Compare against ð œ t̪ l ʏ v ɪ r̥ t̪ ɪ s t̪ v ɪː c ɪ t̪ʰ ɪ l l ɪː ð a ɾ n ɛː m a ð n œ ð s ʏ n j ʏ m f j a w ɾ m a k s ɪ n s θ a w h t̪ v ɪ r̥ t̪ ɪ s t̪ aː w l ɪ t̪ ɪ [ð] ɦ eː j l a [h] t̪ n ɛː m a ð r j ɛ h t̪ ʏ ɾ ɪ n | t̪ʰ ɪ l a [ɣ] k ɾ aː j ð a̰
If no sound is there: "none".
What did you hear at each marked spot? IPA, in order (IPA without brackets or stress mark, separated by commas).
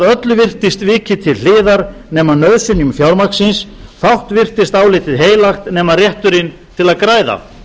ð, x, ð